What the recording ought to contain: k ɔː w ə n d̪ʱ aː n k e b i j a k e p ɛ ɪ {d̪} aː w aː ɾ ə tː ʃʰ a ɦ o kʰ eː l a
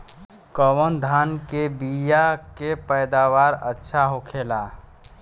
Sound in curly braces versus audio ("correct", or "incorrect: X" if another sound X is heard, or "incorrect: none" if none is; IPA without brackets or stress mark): correct